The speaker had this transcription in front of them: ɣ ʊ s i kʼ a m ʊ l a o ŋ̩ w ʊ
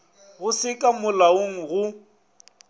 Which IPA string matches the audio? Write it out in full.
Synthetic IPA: ɣ ʊ s ɪ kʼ a m ʊ l a o ŋ̩ ɣ ʊ